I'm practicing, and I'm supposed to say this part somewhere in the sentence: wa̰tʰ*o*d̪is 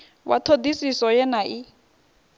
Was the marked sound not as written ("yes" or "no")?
no